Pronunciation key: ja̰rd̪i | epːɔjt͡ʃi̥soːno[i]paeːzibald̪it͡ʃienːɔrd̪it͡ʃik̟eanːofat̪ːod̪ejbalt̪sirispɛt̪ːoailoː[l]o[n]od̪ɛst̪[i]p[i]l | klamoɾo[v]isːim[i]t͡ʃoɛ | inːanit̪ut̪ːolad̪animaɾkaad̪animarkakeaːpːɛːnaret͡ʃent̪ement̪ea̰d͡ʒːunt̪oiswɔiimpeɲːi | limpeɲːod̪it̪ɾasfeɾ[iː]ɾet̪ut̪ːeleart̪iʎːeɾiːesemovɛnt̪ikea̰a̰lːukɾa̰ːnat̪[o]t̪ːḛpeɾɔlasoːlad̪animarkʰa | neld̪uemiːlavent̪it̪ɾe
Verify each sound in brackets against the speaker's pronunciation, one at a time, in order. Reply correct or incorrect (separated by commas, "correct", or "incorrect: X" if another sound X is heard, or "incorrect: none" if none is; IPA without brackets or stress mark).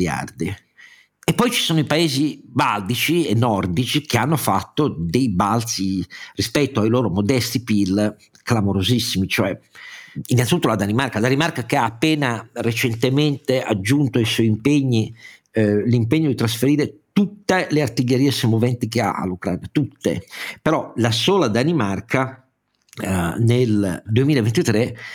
correct, incorrect: ɾ, incorrect: m, correct, correct, incorrect: z, correct, correct, incorrect: u